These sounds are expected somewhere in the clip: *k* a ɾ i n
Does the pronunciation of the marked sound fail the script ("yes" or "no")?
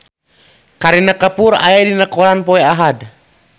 no